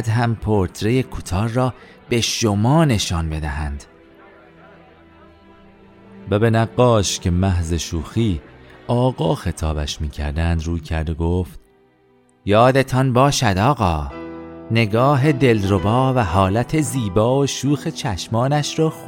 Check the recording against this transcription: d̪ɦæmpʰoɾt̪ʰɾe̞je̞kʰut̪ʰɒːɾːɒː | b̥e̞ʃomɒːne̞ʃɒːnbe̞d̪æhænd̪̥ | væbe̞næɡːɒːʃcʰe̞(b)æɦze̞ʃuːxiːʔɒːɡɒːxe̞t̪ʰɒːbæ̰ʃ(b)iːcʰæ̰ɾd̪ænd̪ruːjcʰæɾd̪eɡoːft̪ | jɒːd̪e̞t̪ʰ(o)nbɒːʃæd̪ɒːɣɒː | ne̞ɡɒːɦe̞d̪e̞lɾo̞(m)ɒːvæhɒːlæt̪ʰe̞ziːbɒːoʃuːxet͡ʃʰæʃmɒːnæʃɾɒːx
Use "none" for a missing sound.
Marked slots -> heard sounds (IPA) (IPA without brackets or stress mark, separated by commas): m, m, ɒ, b